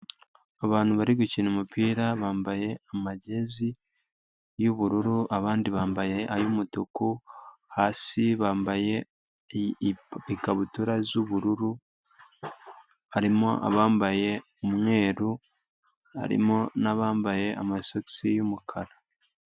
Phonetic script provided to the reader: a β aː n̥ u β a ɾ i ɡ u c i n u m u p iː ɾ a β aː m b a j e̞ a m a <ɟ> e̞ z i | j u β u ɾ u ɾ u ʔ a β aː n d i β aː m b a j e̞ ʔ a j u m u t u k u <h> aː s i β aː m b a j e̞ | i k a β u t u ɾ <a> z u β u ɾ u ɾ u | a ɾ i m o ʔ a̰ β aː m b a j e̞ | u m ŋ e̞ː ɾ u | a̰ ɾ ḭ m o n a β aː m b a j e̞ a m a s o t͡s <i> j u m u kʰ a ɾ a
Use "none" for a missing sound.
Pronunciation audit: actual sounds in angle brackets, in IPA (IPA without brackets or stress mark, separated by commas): ɟ, h, a, i